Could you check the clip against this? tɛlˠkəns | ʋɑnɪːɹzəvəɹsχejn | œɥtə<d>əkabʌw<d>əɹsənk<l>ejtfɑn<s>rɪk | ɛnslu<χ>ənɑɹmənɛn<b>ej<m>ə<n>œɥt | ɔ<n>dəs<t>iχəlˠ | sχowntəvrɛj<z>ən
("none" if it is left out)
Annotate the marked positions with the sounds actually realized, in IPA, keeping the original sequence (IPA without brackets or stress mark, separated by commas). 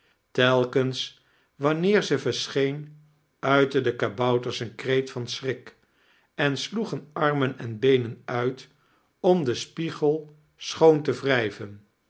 d, t, r, s, χ, b, n, n, m, p, v